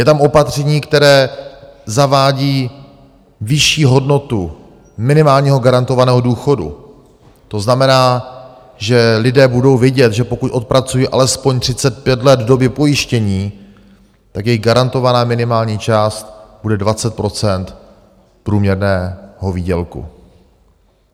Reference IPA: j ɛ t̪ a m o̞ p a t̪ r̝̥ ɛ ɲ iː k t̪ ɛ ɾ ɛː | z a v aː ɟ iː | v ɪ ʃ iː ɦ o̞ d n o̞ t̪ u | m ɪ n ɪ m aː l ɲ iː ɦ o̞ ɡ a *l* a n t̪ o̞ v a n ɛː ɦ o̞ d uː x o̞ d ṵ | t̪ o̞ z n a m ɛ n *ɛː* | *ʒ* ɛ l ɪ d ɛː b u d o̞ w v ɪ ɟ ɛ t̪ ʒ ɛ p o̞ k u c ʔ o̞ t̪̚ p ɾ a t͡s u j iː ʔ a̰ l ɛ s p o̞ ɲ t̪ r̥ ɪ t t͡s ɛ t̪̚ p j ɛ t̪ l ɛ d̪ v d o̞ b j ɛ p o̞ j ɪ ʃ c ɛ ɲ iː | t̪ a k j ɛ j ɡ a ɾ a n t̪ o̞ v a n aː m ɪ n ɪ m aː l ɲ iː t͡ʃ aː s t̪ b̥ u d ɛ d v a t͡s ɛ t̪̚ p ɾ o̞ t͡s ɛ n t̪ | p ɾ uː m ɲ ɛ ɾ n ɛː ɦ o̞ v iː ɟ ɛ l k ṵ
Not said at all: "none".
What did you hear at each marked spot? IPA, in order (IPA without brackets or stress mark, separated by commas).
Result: ɾ, aː, ʒ